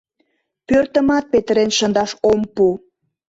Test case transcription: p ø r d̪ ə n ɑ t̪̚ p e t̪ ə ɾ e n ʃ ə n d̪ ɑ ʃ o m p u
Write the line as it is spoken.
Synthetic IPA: p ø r t̪ ə m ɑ t̪̚ p e t̪ ə ɾ e n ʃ ə n d̪ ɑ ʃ o m p u